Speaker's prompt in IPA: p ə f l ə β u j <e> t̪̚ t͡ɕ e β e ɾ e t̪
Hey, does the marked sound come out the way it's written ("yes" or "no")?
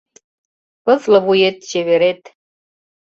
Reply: yes